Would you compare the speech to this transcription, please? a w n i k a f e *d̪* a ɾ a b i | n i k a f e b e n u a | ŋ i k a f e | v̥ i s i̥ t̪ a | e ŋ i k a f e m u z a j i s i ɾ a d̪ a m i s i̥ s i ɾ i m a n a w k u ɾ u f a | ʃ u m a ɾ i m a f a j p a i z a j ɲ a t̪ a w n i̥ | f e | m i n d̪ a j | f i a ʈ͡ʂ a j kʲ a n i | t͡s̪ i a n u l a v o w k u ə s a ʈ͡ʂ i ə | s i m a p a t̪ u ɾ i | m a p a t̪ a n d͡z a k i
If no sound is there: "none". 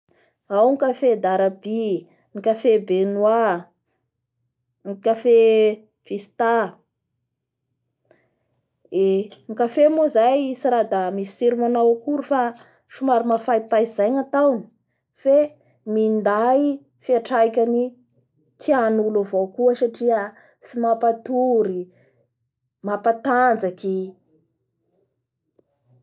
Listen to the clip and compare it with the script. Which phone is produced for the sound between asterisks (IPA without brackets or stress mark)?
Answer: d̪